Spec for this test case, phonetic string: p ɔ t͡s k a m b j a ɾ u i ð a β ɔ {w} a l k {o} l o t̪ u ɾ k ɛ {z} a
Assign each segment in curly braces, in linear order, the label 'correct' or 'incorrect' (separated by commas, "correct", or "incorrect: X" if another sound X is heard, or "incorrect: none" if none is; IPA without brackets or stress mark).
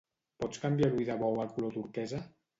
correct, incorrect: u, correct